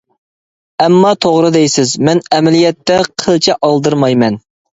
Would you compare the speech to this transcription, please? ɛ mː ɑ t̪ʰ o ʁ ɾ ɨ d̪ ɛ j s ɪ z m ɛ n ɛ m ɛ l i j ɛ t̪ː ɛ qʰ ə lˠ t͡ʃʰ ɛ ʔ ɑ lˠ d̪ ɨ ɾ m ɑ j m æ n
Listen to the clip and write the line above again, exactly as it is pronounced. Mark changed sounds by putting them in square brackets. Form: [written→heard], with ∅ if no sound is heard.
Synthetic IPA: ɛ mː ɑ t̪ʰ o ʁ ɾ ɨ d̪ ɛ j s ɪ z m ɛ n ɛ m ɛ l i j ɛ t̪ː ɛ qʰ ə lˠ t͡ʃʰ ɛ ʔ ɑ lˠ d̪ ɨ ɾ m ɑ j m [æ→ɛ] n